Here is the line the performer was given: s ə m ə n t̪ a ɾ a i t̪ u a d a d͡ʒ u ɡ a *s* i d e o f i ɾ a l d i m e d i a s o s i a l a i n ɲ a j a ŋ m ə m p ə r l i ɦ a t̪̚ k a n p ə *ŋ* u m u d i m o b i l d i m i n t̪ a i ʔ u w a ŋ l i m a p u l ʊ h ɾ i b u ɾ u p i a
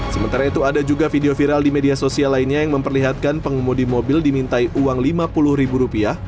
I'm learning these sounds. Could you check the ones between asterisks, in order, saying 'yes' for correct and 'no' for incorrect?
no, yes

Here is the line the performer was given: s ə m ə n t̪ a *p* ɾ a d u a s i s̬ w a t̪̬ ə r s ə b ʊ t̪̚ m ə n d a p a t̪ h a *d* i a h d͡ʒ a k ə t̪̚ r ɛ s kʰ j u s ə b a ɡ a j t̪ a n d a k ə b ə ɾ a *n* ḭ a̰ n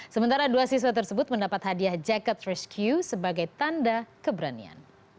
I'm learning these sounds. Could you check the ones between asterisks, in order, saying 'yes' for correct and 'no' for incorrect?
no, yes, yes

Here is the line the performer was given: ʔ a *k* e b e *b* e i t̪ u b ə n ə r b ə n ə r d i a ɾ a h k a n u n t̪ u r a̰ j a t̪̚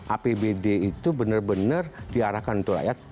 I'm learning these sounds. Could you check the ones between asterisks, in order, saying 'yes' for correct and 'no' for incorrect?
no, no

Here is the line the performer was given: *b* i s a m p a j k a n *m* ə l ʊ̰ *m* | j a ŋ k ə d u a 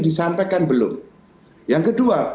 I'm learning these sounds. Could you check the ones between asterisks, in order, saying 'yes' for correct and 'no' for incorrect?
no, no, yes

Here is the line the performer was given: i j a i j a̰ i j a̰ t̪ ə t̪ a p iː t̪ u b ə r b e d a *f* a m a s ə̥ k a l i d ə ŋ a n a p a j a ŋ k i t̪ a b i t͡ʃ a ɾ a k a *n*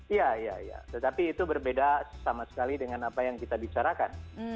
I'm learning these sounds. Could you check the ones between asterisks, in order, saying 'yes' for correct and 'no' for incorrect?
no, yes

